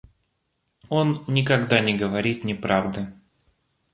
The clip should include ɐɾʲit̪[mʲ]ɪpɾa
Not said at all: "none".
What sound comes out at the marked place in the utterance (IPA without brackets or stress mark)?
nʲ